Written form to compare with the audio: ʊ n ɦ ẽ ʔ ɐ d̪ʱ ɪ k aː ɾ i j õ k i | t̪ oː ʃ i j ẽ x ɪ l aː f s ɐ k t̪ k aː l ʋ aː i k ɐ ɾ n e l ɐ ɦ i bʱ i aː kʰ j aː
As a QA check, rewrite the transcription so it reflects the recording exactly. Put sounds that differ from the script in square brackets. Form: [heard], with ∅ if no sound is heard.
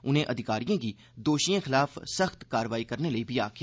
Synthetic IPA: ʊ n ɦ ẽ ʔ ɐ d̪ʱ ɪ k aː ɾ i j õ k i | [d̪] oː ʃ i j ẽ x ɪ l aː f s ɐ [x] t̪ k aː [ɾ] ʋ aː i k ɐ ɾ n e l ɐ [∅] i bʱ i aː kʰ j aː

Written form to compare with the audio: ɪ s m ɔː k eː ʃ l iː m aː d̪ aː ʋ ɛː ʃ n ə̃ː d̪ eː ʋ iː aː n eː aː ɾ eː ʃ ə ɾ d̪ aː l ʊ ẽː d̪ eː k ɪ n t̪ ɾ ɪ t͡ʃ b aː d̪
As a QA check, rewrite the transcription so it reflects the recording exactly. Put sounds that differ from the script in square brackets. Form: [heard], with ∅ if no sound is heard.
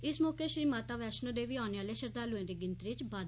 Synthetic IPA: ɪ s m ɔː k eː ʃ [ɾ] iː m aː [t̪] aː ʋ ɛː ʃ n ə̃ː d̪ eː ʋ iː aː n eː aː [l] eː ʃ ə ɾ d̪ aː l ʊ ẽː d̪ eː [ɡ] ɪ n t̪ ɾ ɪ t͡ʃ b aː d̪

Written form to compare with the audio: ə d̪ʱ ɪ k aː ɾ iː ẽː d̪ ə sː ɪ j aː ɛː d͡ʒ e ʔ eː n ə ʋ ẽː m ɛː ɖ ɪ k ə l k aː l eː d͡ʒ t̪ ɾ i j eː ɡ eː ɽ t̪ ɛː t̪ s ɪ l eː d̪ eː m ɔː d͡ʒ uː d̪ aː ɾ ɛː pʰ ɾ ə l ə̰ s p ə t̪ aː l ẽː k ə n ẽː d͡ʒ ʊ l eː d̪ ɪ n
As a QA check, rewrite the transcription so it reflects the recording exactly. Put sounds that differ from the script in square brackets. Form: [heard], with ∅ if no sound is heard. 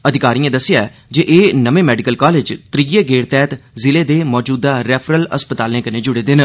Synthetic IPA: ə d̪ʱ ɪ k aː ɾ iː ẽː d̪ ə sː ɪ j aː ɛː d͡ʒ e ʔ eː n ə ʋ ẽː m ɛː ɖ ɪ k ə l k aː l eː d͡ʒ t̪ ɾ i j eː ɡ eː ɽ t̪ ɛː t̪ [z] ɪ l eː d̪ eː m ɔː d͡ʒ uː d̪ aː ɾ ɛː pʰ ɾ ə l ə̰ s p ə t̪ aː l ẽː k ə n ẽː d͡ʒ ʊ [ɽ] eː d̪ ɪ n

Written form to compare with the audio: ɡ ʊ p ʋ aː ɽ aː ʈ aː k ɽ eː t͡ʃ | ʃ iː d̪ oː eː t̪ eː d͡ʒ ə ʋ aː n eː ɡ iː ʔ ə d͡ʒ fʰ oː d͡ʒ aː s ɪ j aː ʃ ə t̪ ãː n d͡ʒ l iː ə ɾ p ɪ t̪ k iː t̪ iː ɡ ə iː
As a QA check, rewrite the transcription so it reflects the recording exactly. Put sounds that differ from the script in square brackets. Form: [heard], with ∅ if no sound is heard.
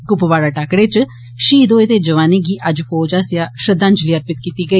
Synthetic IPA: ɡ ʊ p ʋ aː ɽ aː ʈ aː k ɽ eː t͡ʃ | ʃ iː d̪ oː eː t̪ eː d͡ʒ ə ʋ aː n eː ɡ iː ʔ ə d͡ʒ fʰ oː d͡ʒ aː s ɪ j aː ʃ ə [d̪] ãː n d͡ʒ l iː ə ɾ p ɪ t̪ k iː t̪ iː ɡ ə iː

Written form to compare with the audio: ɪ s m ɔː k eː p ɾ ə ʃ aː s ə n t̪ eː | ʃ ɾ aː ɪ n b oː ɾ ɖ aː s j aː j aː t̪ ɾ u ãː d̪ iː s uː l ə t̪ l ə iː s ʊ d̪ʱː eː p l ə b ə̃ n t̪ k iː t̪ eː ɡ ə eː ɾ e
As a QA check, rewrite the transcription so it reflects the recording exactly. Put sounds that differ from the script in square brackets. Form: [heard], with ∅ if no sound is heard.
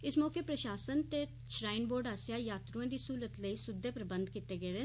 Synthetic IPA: ɪ s m ɔː k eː p ɾ ə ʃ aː s ə n t̪ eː | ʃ ɾ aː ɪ n b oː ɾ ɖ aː s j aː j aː t̪ ɾ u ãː d̪ iː s uː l ə t̪ l ə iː s ʊ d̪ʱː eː p [ɾ] ə b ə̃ n [d̪] k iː t̪ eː ɡ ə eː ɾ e

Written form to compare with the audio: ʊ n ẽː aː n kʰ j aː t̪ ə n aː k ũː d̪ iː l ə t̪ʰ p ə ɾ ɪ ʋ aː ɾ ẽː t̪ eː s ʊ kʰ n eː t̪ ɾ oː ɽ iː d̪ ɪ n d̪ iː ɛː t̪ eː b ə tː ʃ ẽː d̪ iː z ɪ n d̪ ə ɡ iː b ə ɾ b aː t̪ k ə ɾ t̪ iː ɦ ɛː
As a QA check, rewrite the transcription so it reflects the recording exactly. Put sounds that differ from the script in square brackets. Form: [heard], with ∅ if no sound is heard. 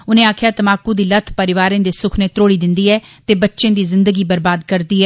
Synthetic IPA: ʊ n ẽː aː [∅] kʰ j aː t̪ ə [m] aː k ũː d̪ iː l ə t̪ʰ p ə ɾ ɪ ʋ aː ɾ ẽː [d̪] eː s ʊ kʰ n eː t̪ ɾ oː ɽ iː d̪ ɪ n d̪ iː ɛː t̪ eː b ə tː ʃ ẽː d̪ iː z ɪ n d̪ ə ɡ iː b ə ɾ b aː [d̪] k ə ɾ [d̪] iː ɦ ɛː

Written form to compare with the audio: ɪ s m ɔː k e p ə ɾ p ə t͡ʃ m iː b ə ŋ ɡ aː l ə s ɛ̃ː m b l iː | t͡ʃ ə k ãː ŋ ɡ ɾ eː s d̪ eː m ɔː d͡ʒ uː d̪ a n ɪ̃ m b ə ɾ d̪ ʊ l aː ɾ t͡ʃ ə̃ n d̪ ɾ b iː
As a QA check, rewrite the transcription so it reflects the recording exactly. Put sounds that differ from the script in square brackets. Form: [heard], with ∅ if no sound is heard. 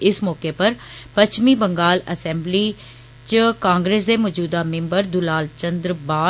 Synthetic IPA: ɪ s m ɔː k e p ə ɾ p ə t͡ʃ m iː b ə ŋ ɡ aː l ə s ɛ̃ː m b l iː | t͡ʃ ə k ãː ŋ ɡ ɾ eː s d̪ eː m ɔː d͡ʒ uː d̪ a [m] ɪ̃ m b ə ɾ d̪ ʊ l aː [l] t͡ʃ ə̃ n d̪ ɾ b [aː]

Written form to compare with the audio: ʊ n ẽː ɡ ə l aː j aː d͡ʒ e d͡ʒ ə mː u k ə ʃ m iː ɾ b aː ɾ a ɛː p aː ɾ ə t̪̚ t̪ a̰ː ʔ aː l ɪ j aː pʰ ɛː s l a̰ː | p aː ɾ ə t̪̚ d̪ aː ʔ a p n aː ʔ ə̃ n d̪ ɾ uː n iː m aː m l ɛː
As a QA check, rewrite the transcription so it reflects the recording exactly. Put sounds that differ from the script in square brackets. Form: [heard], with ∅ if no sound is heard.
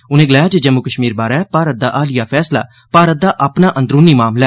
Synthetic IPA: ʊ n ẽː ɡ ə l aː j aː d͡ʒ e d͡ʒ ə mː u k ə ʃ m iː ɾ b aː ɾ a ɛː p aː ɾ ə t̪̚ [d̪] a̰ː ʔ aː l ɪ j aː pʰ ɛː s l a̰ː | p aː ɾ ə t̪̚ d̪ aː ʔ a p n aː ʔ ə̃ n d̪ ɾ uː n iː m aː m l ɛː

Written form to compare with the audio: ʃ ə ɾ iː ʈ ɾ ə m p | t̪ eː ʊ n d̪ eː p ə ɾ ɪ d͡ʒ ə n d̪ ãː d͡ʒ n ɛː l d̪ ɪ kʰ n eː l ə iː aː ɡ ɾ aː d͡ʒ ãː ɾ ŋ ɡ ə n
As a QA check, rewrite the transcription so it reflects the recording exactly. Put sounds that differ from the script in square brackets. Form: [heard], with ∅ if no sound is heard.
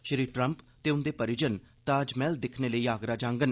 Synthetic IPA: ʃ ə ɾ iː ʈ ɾ ə m p | t̪ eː ʊ n d̪ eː p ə ɾ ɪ d͡ʒ ə n [t̪] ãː d͡ʒ [m] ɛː l d̪ ɪ kʰ n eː l ə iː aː ɡ ɾ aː d͡ʒ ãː [∅] ŋ ɡ ə n

